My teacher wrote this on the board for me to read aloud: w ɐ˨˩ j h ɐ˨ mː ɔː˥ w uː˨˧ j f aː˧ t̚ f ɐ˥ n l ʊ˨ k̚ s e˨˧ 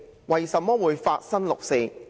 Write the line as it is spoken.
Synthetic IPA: w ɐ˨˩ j s ɐ˨ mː ɔː˥ w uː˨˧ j f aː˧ t̚ s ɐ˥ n l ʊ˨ k̚ s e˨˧